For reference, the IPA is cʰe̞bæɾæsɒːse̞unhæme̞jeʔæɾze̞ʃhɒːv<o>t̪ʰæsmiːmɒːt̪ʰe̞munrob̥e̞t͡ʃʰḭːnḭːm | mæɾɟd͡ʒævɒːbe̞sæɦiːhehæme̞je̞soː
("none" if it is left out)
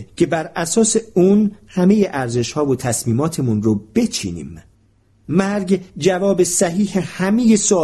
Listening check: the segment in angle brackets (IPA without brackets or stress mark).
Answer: o